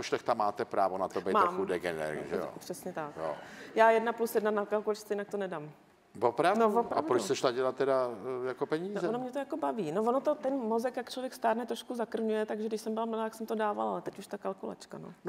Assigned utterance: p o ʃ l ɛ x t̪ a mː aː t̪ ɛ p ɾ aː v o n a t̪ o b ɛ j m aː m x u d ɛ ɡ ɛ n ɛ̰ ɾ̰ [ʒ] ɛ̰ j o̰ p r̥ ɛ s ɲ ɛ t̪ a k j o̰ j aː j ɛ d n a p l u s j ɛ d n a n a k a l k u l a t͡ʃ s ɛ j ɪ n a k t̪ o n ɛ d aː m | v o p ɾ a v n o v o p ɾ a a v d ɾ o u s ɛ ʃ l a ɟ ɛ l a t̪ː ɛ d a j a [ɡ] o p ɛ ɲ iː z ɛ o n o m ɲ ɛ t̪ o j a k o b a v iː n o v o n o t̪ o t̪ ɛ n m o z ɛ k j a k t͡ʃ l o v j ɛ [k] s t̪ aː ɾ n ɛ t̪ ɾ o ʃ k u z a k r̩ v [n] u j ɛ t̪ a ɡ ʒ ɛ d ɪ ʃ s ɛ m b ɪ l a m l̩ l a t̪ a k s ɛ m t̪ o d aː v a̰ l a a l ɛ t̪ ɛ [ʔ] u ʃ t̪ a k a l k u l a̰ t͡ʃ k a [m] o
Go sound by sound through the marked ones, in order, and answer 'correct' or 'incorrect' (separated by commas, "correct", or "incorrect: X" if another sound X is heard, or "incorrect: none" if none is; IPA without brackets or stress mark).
correct, incorrect: k, correct, incorrect: ɲ, incorrect: c, incorrect: n